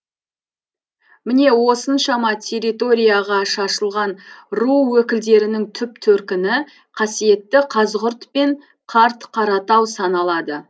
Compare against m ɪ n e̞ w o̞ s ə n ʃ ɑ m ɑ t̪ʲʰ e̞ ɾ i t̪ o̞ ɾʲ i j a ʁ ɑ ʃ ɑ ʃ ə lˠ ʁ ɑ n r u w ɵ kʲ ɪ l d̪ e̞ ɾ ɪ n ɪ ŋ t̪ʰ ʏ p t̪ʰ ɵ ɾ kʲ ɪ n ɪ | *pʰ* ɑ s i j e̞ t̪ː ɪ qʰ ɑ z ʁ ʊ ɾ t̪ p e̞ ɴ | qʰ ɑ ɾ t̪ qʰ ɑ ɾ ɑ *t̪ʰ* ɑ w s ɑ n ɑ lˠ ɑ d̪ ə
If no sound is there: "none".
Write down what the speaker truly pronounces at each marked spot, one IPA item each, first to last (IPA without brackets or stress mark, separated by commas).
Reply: qʰ, t̪